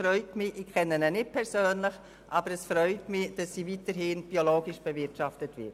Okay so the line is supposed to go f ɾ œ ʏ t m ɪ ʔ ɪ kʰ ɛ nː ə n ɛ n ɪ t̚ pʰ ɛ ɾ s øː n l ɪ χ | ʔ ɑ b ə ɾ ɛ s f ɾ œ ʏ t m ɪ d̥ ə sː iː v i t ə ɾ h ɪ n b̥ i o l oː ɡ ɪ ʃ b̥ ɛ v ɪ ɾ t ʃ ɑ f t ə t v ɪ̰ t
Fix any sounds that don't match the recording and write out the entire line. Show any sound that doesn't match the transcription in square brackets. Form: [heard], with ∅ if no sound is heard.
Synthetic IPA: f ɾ œ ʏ t m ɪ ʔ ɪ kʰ ɛ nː ə n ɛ n ɪ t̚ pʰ ɛ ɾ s øː n l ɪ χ | ʔ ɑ b ə ɾ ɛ s f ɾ œ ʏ t m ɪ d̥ [ɑ] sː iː v i t ə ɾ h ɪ n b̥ i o l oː ɡ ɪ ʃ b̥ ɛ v ɪ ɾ t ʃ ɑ f t ə t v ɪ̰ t